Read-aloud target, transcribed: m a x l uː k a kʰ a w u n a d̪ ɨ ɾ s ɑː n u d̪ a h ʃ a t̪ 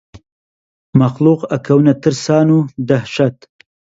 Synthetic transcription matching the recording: m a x l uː q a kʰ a w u n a t̪ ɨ ɾ s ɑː n u d̪ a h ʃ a t̪

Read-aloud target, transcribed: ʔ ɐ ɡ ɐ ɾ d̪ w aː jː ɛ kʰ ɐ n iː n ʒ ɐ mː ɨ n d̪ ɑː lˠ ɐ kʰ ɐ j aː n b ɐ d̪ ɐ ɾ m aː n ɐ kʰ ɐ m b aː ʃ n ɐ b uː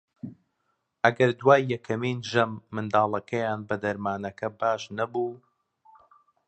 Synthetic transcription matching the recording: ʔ ɐ ɡ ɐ ɾ d̪ w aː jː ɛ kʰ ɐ m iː n ʒ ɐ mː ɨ n d̪ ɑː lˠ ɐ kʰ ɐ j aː n b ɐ d̪ ɐ ɾ m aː n ɐ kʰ ɐ b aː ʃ n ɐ b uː

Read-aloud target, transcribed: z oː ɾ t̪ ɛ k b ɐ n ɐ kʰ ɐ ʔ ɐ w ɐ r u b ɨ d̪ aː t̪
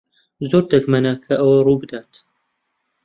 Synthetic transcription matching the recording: z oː ɾ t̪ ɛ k m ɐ n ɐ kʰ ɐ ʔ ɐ w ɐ r u b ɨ d̪ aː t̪

